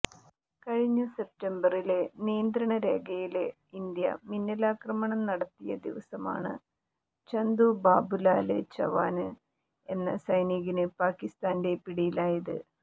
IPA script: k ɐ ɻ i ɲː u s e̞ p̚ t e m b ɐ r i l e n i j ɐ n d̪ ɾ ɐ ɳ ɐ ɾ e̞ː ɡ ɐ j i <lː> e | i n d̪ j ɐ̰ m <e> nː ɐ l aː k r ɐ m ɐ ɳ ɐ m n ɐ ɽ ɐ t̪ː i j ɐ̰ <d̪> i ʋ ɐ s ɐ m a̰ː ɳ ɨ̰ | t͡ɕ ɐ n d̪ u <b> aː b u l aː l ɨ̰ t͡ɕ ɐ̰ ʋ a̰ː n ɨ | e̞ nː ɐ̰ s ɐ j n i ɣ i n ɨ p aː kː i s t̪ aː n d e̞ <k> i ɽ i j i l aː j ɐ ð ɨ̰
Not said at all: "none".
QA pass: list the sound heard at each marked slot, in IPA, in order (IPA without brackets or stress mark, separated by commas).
l, i, d̪, b, p